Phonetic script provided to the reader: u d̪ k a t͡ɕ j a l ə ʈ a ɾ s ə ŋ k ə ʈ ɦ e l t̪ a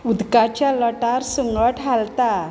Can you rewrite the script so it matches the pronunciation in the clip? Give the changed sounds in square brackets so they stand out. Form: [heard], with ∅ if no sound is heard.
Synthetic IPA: u d̪ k a t͡ɕ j a l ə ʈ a ɾ s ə ŋ [ɡ] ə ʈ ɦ [a] l t̪ a